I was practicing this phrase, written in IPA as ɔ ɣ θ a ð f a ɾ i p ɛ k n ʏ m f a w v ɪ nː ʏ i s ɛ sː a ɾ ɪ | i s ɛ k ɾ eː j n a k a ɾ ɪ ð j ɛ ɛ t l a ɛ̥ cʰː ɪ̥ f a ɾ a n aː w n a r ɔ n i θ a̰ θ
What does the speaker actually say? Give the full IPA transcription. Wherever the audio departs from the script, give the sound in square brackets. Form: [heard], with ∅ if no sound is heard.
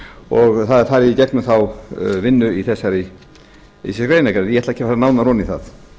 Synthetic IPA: ɔ ɣ θ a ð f a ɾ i [c] ɛ k n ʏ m [θ] a w v ɪ nː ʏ i [θ] ɛ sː a ɾ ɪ | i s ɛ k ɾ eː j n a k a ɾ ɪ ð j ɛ ɛ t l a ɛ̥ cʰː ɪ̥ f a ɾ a n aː w n a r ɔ n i θ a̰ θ